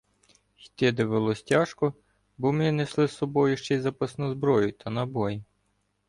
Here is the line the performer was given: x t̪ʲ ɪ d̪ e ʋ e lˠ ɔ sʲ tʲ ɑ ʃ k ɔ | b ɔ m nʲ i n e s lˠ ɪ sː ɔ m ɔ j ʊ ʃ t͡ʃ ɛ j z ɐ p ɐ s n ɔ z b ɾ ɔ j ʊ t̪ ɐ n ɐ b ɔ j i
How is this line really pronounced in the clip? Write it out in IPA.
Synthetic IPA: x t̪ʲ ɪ d̪ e ʋ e lˠ ɔ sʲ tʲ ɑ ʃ k ɔ | b ɔ m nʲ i n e s lˠ ɪ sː ɔ b ɔ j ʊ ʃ t͡ʃ ɛ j z ɐ p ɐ s n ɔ z b ɾ ɔ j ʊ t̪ ɐ n ɐ b ɔ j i

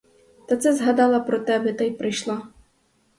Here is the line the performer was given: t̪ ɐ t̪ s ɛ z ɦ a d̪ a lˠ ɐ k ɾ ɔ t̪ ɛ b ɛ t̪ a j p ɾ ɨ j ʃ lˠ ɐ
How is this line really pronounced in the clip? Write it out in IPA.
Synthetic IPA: t̪ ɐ t̪ s ɛ z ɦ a d̪ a lˠ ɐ p ɾ ɔ t̪ ɛ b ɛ t̪ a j p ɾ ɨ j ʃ lˠ a

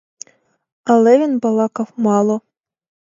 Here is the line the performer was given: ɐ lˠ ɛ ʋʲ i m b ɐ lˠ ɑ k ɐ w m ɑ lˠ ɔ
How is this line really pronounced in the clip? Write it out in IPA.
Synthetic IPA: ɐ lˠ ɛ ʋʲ i n b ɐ lˠ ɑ k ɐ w m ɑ lˠ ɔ

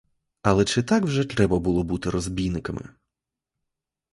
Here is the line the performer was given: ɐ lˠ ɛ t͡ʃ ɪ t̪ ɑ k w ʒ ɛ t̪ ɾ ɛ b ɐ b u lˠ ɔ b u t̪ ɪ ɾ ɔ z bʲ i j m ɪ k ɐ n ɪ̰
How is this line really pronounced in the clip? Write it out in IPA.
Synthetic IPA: ɐ lˠ ɛ t͡ʃ ɪ t̪ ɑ k w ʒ ɛ t̪ ɾ ɛ b ɐ b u lˠ ɔ b u t̪ ɪ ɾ ɔ z bʲ i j n ɪ k ɐ m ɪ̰

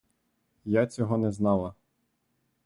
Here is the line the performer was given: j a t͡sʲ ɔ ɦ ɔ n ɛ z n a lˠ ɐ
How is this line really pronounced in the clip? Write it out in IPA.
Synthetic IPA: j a t͡sʲ ɔ ɦ ɔ n ɛ z n ɑ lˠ ɐ

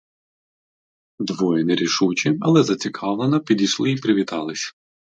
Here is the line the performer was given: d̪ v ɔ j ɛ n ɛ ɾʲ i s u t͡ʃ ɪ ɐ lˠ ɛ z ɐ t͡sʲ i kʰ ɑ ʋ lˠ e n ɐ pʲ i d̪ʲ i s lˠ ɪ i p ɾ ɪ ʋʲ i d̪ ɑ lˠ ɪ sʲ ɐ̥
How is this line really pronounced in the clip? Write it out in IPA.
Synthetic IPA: d̪ ʋ ɔ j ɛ n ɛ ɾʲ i ʃ u t͡ʃ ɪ ɐ lˠ ɛ z ɐ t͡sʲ i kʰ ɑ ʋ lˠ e n ɐ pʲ i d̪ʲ i ʃ lˠ ɪ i p ɾ ɪ ʋʲ i t̪ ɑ lˠ ɪ sʲ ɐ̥

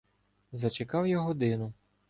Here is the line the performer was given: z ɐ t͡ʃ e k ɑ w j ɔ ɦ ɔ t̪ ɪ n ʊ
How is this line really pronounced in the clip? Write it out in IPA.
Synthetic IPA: z ɐ t͡ʃ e k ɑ w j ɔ ɦ ɔ d̪ ɪ n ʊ

